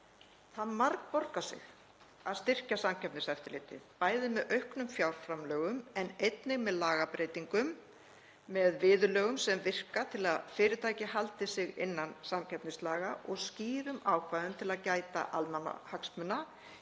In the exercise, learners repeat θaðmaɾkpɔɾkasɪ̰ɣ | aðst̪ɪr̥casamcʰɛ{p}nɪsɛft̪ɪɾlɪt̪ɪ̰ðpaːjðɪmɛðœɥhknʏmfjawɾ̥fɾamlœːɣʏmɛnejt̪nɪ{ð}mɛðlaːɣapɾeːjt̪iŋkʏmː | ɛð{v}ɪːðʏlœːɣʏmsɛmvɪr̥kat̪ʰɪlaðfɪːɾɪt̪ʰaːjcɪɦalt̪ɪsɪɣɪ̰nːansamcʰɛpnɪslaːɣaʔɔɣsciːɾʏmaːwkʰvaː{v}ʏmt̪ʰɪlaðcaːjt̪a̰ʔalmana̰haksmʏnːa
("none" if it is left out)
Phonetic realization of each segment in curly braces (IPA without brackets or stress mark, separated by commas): p, ɣ, v, ð